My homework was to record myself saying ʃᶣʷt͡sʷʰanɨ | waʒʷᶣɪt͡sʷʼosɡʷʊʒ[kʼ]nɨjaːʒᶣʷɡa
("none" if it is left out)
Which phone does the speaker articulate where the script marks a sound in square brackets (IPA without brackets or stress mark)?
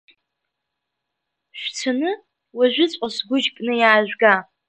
kʼ